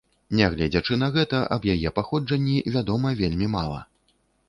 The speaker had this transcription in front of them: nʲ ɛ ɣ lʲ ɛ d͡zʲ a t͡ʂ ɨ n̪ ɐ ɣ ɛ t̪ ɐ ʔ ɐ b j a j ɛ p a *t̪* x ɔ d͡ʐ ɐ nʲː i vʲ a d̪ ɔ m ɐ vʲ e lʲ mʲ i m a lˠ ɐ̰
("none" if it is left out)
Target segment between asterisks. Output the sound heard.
none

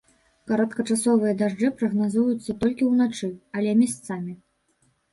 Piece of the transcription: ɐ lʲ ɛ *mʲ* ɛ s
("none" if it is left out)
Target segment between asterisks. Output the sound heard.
mʲ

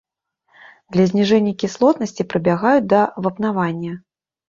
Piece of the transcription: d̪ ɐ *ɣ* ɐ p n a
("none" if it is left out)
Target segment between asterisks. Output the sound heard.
v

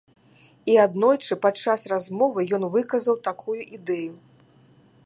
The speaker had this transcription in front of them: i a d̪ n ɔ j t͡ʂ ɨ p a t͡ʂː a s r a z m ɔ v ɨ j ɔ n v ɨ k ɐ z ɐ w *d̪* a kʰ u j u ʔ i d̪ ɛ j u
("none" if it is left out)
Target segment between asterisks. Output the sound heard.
t̪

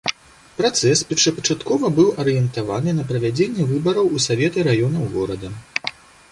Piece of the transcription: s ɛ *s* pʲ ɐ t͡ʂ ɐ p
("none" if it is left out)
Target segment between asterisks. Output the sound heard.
s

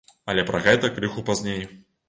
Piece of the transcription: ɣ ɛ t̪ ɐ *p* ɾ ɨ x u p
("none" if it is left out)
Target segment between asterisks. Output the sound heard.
k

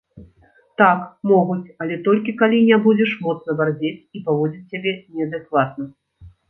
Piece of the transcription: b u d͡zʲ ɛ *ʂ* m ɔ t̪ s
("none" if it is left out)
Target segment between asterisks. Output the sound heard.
ʂ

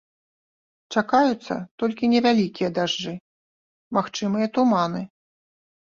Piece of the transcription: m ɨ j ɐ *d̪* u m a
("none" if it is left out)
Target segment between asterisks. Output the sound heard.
t̪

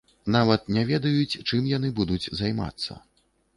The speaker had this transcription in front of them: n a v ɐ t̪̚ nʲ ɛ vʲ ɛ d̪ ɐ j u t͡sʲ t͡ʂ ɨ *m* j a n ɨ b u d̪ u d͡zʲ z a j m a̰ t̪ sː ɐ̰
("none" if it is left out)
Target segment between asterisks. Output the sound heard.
m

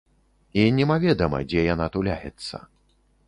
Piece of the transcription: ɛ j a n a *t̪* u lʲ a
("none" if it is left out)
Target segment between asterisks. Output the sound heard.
t̪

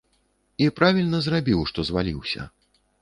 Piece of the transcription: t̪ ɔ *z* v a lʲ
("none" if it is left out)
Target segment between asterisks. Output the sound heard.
z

